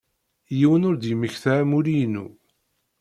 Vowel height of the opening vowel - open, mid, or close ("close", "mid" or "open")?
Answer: close